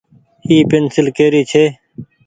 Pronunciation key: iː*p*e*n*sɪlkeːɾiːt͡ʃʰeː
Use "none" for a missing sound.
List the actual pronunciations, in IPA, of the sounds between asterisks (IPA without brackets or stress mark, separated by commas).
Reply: p, n